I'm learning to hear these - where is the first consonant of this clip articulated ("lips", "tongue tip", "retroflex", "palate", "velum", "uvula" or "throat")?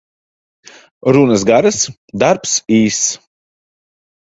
tongue tip